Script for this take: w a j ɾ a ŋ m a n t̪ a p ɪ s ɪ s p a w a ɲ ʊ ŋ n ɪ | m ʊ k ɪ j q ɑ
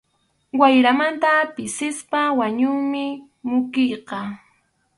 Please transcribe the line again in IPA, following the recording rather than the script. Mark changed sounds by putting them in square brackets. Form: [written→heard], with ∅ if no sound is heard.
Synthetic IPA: w a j ɾ a [ŋ→∅] m a n t̪ a p ɪ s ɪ s p a w a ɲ ʊ ŋ [n→m] ɪ | m ʊ k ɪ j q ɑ